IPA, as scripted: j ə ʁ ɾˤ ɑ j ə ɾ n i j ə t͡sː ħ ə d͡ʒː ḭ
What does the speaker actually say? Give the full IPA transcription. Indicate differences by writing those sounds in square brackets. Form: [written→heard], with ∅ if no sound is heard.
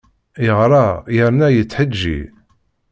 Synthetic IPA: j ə ʁ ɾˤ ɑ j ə ɾ n [i→æ] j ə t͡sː ħ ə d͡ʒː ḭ